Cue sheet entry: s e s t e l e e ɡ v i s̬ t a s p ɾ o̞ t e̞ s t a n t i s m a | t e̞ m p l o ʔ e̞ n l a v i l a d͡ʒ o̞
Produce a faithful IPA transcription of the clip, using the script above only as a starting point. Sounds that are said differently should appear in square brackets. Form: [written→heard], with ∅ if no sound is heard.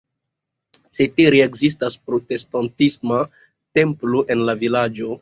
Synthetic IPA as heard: s e [s→∅] t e [l→ɾ] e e ɡ [v→z] i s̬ t a s p ɾ o̞ t e̞ s t a n t i s m a | t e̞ m p l o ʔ e̞ n l a v i l a d͡ʒ o̞